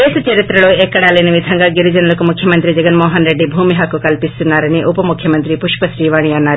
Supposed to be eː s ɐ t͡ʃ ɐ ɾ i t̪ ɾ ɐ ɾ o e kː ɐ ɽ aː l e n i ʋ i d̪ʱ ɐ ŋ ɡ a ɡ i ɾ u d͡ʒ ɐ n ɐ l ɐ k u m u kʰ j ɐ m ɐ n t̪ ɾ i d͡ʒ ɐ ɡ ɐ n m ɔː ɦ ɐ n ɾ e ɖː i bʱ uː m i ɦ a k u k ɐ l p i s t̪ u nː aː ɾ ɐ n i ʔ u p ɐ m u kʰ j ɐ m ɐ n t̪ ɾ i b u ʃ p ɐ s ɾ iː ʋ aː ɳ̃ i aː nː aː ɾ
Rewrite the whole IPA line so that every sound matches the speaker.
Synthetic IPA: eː s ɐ t͡ʃ ɐ ɾ i t̪ ɾ ɐ ɭ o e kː ɐ ɽ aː l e n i ʋ i d̪ʱ ɐ ŋ ɡ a ɡ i ɾ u d͡ʒ ɐ n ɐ l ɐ k u m u kʰ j ɐ m ɐ n t̪ ɾ i d͡ʒ ɐ ɡ ɐ n m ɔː ɦ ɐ n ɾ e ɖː i bʱ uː m i ɦ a k u k ɐ l p i s t̪ u nː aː ɾ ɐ n i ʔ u p ɐ m u kʰ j ɐ m ɐ n t̪ ɾ i p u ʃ p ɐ s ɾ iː ʋ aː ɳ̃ i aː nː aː ɾ